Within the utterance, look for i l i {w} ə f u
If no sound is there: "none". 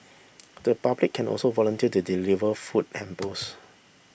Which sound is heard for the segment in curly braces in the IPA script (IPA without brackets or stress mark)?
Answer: v